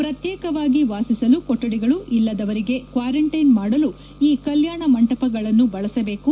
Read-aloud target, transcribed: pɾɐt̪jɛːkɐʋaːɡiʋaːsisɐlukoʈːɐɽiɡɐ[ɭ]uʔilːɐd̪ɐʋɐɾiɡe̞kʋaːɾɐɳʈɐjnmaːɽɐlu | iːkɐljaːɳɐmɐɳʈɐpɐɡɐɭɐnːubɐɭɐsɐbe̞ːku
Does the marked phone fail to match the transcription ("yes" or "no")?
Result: no